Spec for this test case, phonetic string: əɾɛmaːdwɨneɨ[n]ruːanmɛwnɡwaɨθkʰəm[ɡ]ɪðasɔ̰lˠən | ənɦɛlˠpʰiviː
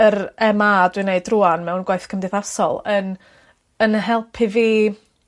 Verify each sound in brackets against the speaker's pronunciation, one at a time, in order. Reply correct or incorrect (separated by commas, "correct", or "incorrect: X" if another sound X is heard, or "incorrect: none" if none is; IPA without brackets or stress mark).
incorrect: d, incorrect: d